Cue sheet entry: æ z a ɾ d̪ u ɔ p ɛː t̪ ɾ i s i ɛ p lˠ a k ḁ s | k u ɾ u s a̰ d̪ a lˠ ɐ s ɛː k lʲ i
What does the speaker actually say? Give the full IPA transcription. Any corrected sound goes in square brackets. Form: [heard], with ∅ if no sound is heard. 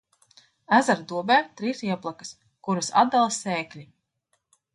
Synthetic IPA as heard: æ z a ɾ d̪ u ɔ [b] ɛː t̪ ɾ i s i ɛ p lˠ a k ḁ s | k u ɾ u s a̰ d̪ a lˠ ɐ s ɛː k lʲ i